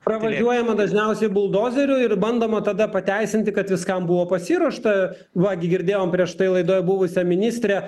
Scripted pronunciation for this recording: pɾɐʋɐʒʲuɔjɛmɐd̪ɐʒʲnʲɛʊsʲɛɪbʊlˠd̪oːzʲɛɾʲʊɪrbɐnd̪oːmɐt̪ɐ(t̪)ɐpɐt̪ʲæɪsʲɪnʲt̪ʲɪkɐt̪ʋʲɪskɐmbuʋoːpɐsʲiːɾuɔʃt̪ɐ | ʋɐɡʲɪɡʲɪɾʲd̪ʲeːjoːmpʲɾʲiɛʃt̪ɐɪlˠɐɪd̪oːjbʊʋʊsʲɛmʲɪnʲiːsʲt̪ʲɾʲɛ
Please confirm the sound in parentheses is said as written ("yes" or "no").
no